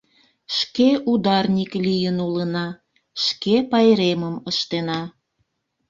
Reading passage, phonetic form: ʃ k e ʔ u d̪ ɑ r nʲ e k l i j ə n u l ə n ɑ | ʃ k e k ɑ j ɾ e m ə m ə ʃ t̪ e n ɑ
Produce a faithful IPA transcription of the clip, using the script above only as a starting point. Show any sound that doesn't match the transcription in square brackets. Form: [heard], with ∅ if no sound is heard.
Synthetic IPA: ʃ k e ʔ u d̪ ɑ r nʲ [i] k l i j ə n u l ə n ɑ | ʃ k e [p] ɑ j ɾ e m ə m ə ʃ t̪ e n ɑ